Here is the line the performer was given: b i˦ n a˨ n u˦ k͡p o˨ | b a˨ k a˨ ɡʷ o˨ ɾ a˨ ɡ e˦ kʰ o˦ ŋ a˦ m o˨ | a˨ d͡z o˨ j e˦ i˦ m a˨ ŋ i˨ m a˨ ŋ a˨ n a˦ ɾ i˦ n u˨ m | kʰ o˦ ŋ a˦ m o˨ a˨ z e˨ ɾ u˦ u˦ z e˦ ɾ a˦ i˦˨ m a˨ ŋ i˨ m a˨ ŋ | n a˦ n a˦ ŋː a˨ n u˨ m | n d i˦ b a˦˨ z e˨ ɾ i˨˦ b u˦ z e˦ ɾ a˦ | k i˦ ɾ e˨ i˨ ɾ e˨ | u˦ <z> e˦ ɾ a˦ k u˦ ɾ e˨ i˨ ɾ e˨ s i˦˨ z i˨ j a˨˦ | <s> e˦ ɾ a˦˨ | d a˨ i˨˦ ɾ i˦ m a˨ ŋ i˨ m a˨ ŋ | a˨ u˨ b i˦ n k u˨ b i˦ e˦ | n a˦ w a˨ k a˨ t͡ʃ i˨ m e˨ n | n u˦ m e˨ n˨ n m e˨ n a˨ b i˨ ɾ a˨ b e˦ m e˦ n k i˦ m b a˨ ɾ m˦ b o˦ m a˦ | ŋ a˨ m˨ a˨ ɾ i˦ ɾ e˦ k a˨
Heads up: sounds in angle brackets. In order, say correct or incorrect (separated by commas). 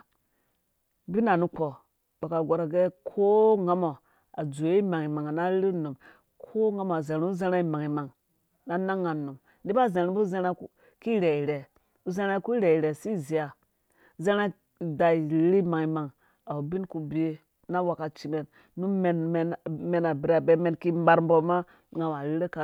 correct, incorrect